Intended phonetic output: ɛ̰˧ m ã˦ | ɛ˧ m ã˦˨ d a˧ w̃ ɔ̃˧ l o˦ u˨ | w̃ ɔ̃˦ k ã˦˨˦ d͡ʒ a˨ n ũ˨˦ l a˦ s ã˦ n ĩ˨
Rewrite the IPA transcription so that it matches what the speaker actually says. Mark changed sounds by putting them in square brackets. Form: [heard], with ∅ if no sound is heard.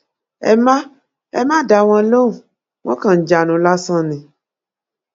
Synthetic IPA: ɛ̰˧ m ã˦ | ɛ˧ m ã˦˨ d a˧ w̃ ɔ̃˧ l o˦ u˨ | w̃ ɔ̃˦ k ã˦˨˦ d͡ʒ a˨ n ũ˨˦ l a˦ s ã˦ n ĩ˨